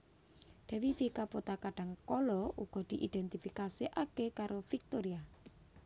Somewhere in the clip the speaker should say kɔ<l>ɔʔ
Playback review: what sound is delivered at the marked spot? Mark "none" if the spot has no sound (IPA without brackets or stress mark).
l